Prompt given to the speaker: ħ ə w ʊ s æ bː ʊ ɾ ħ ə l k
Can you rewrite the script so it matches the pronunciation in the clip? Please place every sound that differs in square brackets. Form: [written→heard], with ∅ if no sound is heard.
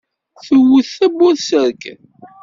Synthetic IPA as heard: [ħ→θ] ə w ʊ [s→θ] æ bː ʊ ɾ [ħ→s] ə [l→ɾ] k